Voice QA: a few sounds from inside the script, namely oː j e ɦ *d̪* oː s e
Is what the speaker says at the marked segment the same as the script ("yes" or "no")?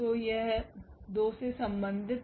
yes